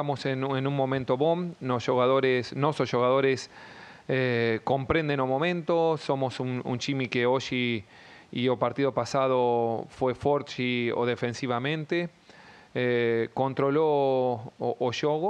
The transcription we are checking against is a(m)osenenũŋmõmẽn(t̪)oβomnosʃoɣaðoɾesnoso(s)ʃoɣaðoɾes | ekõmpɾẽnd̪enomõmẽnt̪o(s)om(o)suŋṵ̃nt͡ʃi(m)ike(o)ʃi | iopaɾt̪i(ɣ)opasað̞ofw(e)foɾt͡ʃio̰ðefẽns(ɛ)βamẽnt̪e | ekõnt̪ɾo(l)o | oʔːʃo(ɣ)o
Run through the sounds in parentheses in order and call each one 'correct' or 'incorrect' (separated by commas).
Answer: correct, correct, correct, correct, correct, correct, correct, incorrect, correct, incorrect, correct, correct